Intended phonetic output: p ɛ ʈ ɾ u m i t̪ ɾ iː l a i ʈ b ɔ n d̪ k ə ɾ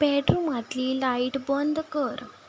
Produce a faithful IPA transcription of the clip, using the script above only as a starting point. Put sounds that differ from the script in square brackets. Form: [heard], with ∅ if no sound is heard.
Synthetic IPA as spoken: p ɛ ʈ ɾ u m [a] t̪ [l] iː l a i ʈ b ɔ n d̪ k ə ɾ